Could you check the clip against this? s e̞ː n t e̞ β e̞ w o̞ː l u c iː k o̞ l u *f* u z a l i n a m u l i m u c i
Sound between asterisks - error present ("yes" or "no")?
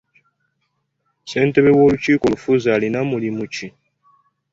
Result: no